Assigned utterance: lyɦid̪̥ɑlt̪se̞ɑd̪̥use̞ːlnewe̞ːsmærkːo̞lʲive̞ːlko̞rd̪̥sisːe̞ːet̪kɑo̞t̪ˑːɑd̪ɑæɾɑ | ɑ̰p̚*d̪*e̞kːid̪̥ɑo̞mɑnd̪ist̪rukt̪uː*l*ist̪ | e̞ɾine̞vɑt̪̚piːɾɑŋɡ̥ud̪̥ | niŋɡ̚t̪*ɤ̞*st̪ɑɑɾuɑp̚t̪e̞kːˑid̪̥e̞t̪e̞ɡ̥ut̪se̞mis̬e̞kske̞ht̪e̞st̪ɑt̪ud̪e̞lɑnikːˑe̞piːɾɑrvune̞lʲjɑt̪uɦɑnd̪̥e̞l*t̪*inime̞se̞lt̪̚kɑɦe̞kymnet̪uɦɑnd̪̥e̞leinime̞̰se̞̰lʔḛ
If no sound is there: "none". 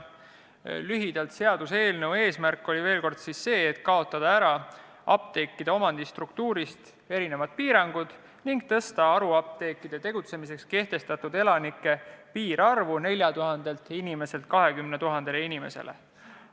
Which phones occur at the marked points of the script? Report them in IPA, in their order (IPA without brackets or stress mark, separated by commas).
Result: t̪, ɾ, ɤ̞, t̪